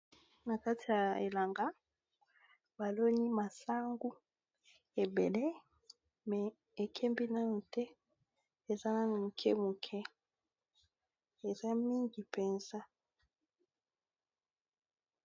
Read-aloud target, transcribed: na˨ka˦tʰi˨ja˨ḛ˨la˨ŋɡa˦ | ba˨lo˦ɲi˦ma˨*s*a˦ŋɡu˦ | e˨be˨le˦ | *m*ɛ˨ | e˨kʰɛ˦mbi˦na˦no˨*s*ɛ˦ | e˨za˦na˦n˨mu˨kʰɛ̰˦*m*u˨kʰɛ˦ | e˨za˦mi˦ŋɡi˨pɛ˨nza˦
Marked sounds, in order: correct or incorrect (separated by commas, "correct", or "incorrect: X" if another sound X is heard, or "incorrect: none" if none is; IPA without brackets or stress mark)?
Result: correct, correct, incorrect: t, correct